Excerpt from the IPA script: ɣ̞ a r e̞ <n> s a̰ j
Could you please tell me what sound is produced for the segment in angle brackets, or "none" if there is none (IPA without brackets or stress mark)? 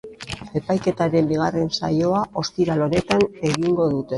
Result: n